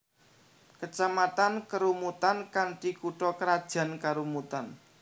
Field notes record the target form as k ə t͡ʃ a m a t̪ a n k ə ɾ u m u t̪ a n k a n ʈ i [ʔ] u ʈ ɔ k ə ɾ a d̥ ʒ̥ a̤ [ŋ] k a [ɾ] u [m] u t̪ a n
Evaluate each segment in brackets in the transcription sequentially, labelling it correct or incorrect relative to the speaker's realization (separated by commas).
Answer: incorrect, incorrect, correct, correct